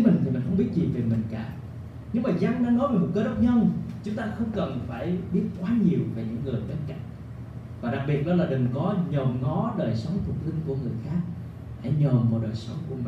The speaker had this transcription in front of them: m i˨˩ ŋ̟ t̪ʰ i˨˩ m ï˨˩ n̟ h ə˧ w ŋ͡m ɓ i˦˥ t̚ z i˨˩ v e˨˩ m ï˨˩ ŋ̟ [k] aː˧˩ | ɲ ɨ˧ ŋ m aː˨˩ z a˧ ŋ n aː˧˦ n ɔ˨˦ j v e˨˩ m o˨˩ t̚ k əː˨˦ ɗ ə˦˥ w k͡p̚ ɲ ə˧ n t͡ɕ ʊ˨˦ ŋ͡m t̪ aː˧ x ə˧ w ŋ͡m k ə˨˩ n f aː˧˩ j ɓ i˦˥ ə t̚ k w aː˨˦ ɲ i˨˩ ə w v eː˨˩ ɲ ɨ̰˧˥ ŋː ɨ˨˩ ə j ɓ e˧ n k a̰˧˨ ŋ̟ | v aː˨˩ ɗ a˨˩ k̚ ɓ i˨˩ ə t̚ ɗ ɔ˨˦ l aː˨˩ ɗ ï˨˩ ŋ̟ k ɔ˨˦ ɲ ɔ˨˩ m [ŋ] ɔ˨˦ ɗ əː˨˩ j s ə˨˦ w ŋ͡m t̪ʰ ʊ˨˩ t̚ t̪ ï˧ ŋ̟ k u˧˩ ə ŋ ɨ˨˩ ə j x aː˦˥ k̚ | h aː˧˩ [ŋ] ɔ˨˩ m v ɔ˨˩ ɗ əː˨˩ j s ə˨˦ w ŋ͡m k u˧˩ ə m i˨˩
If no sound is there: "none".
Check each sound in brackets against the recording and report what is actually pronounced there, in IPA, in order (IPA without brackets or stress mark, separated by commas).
k, ŋ, ɲ